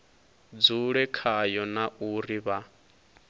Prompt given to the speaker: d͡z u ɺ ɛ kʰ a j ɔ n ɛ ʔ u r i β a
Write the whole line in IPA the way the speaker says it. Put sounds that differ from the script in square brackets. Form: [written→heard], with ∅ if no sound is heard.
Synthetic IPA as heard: d͡z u ɺ ɛ kʰ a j ɔ n [ɛ→a] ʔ u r i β a